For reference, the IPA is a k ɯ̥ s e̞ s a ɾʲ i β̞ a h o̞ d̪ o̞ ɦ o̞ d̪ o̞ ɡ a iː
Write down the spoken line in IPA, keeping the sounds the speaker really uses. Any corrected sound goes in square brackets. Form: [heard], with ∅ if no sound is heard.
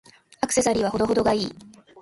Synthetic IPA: a k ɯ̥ s e̞ s a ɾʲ i β̞ a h o̞ d̪ o̞ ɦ o̞ d̪ o̞ ɡ a iː